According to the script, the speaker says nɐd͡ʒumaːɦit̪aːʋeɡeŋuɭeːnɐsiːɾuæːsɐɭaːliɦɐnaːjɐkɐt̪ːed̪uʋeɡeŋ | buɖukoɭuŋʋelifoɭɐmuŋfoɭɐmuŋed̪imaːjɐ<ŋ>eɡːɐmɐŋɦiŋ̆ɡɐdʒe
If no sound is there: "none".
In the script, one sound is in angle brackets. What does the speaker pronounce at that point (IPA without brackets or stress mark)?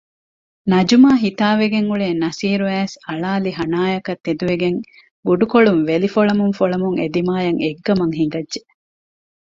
ŋ